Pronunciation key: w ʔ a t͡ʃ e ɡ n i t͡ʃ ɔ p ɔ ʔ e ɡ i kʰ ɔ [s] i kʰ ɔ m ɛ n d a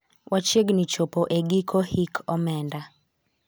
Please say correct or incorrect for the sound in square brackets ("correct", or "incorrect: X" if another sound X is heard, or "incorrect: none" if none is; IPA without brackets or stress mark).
incorrect: h